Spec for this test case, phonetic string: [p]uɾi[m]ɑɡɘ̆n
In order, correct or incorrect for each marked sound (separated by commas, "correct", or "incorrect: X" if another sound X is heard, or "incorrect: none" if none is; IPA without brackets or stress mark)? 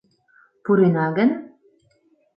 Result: correct, incorrect: n